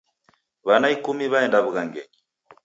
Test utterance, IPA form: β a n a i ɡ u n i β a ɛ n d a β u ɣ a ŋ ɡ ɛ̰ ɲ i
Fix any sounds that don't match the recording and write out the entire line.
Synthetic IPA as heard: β a n a i k u m i β a ɛ n d a β u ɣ a ŋ ɡ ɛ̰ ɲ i